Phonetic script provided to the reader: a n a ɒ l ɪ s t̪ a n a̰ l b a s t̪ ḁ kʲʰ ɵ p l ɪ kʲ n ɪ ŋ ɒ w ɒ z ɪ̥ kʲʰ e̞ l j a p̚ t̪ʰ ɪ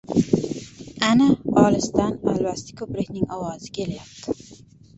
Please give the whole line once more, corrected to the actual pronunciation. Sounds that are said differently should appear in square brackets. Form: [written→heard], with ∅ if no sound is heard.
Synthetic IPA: a n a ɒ l ɪ s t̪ a n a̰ l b a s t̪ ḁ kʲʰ ɵ p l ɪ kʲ n ɪ ŋ ɒ w ɒ z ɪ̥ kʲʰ e̞ l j a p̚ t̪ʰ ɪ